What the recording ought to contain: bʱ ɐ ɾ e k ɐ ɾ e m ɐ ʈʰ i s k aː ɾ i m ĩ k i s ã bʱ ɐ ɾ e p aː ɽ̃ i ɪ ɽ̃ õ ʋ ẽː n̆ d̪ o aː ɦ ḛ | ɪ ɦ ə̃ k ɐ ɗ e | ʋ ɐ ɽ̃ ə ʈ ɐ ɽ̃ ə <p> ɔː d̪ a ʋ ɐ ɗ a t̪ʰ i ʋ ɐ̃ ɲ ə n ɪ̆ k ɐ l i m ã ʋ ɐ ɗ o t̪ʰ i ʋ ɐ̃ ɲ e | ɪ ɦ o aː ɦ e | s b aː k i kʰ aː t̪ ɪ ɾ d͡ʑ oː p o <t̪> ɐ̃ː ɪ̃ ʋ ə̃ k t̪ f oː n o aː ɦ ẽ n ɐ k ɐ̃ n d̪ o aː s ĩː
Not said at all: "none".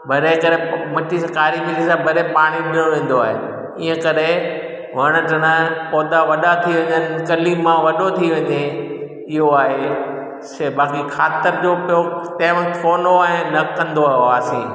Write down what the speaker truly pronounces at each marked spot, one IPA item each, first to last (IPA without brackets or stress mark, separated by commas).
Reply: p, t̪